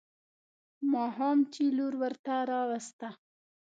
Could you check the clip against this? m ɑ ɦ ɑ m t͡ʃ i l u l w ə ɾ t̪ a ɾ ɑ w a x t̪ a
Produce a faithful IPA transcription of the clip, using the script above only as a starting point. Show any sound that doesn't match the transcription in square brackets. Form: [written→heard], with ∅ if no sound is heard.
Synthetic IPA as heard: m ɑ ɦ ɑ m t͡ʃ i l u [l→ɾ] w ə ɾ t̪ a ɾ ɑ w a [x→s] t̪ a

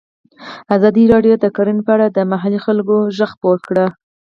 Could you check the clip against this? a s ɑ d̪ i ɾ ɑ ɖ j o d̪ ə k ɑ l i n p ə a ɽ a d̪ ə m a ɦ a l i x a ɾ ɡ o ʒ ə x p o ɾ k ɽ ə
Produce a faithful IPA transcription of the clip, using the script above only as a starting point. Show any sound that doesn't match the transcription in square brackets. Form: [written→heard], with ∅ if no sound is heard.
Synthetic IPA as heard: a [s→z] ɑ d̪ i ɾ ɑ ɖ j o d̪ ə k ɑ [l→ɾ] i n p ə a ɽ a d̪ ə m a ɦ a l i x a [ɾ→l] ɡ o ʒ ə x p o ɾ k ɽ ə

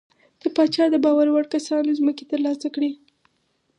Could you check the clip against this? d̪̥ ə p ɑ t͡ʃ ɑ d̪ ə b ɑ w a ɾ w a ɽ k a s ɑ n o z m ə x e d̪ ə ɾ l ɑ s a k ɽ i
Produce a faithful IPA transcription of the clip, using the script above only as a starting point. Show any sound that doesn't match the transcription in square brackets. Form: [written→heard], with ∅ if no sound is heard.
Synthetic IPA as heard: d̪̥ ə p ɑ t͡ʃ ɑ d̪ ə b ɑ w a ɾ w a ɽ k a s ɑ n o z m ə [x→k] e [d̪→t̪] ə ɾ l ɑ s a k ɽ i

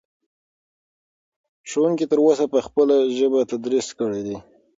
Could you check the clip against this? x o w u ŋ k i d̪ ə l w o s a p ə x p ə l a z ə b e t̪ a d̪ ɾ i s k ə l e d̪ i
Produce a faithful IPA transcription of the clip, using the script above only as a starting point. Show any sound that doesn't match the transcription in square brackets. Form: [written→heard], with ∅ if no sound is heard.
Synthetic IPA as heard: [x→ʃ] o w u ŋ k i [d̪→t̪] ə [l→ɾ] w o s a p ə x p ə l a [z→ʒ] ə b [e→a] t̪ a d̪ ɾ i s k ə [l→ɽ] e d̪ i

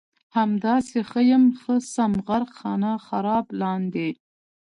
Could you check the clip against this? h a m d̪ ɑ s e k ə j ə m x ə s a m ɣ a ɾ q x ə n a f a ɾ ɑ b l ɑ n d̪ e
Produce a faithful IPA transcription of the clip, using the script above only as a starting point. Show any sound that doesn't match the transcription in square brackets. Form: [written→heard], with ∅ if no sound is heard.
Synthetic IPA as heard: h a m d̪ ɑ s e [k→x] ə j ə m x ə s a m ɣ a ɾ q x [ə→ɑ] n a [f→x] a ɾ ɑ b l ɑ n d̪ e

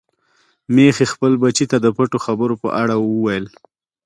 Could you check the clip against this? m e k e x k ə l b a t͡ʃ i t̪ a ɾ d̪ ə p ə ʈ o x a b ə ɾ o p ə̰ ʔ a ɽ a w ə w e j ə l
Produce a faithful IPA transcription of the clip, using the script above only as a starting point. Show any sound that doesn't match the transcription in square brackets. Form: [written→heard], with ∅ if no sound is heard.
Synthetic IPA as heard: m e [k→x] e x [k→p] ə l b a t͡ʃ i t̪ a [ɾ→∅] d̪ ə p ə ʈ o x a b ə ɾ o p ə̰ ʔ a ɽ a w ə w [e→a] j ə l

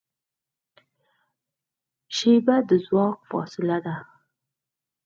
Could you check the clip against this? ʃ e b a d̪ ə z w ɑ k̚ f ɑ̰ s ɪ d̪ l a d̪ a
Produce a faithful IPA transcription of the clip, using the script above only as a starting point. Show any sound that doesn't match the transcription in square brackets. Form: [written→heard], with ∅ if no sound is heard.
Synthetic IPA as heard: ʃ e b a d̪ ə z w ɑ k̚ f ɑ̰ s ɪ [d̪→∅] l a d̪ a

